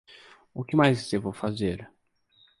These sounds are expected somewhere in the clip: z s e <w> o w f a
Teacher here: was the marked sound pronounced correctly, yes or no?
no